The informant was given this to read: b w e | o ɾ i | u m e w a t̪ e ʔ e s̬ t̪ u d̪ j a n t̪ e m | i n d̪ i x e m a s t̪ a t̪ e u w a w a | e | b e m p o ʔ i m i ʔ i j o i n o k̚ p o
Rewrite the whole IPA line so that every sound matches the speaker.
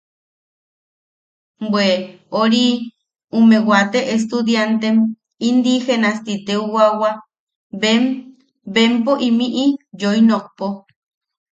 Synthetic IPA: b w e | o ɾ i | u m e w a t̪ e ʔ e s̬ t̪ u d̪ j a n t̪ e m | i n d̪ i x e n a s t̪ i t̪ e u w a w a | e | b e m p o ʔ i m i ʔ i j o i n o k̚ p o